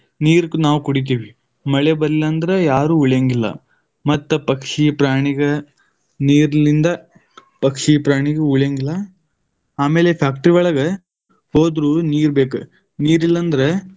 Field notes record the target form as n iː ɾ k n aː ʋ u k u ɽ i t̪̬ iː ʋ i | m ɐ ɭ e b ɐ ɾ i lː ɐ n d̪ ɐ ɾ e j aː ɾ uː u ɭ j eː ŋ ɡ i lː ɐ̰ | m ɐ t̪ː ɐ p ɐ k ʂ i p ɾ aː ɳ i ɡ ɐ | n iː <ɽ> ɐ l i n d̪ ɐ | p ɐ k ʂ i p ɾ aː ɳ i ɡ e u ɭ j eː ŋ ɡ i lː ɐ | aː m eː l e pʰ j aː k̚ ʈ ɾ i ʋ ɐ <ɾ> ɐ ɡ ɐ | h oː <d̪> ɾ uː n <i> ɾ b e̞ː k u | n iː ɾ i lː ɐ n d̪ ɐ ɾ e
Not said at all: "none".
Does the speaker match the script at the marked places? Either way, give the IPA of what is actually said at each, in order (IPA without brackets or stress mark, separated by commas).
ɾ, ɭ, d̪, iː